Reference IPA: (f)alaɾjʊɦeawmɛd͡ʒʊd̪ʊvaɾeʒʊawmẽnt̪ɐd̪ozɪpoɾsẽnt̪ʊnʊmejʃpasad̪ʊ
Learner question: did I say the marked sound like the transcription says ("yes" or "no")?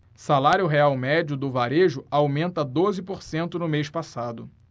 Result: no